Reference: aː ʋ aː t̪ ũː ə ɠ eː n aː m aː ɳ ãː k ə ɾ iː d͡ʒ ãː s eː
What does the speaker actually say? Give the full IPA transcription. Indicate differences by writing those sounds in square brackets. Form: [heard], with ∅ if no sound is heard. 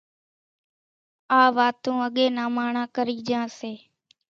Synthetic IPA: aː ʋ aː t̪ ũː ə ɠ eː n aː m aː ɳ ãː k ə ɾ iː d͡ʒ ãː s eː